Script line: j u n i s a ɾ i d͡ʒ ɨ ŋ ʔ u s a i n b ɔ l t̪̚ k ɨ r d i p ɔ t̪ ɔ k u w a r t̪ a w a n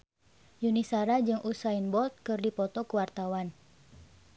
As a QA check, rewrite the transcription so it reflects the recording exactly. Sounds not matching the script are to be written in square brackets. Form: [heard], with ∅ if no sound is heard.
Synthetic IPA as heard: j u n i s a ɾ [a] d͡ʒ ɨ ŋ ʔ u s a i n b ɔ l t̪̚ k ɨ r d i p ɔ t̪ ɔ k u w a r t̪ a w a n